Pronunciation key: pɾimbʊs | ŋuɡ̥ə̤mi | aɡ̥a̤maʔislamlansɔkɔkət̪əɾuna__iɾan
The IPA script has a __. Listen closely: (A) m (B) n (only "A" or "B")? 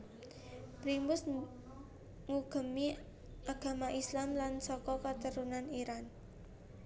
B